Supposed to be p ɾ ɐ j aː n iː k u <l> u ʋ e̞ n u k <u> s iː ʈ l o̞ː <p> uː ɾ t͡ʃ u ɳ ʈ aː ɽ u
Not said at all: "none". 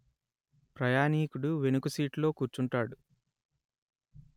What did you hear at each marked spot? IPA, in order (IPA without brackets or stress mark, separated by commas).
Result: ɽ, u, k